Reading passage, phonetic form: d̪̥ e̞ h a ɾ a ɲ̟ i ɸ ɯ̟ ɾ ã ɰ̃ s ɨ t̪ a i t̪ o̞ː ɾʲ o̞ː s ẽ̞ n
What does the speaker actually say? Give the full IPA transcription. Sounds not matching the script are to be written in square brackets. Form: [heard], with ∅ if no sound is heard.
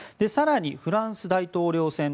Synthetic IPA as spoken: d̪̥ e̞ [s] a ɾ a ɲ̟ i ɸ ɯ̟ ɾ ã ɰ̃ s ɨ [d̪] a i t̪ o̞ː ɾʲ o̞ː s ẽ̞ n